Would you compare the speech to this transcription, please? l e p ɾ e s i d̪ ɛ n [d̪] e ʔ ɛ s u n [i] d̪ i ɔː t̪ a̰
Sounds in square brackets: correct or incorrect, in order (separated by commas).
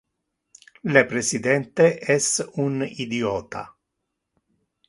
incorrect, correct